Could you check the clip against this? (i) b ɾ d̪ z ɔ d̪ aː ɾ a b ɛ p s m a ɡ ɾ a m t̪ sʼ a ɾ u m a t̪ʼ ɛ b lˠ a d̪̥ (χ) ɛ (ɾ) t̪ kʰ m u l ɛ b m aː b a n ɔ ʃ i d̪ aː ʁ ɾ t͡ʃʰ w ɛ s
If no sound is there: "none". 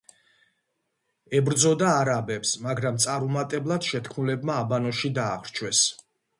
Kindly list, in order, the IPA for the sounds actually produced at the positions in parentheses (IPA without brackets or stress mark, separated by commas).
ɛ, ʃ, none